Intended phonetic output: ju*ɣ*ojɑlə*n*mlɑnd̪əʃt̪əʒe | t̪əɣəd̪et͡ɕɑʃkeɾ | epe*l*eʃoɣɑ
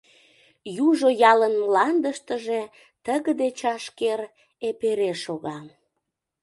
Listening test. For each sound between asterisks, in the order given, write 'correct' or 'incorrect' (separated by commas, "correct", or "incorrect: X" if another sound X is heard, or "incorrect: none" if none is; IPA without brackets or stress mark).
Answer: incorrect: ʒ, correct, incorrect: ɾ